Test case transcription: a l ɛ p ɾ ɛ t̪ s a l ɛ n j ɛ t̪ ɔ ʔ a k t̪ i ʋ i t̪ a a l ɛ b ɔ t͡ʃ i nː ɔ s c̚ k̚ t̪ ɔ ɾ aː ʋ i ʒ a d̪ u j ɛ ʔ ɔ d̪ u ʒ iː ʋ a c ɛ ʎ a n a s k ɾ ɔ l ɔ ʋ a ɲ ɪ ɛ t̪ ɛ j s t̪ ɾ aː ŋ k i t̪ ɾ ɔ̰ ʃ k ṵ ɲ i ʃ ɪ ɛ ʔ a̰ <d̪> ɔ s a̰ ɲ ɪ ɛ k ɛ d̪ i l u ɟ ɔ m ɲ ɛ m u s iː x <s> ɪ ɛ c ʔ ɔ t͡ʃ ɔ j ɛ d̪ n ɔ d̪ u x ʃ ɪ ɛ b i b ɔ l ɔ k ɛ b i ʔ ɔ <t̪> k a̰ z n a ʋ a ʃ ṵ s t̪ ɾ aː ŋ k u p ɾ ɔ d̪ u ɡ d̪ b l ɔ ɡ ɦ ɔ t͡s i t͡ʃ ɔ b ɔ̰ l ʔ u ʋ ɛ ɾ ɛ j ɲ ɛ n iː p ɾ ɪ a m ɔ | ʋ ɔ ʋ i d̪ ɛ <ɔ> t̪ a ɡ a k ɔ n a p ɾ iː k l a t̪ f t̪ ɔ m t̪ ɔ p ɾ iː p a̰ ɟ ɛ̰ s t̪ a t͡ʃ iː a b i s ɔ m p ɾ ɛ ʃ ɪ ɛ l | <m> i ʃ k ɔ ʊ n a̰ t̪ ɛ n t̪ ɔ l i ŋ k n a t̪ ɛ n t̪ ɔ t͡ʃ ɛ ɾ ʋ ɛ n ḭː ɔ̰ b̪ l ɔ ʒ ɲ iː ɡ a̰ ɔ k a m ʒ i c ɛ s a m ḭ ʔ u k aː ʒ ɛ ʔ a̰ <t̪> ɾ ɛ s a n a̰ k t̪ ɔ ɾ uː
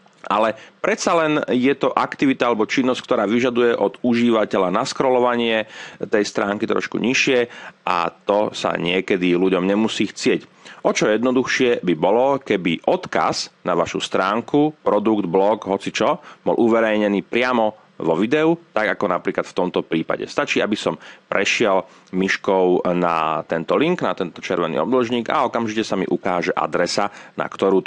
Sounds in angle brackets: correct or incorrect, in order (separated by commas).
incorrect, incorrect, correct, incorrect, correct, incorrect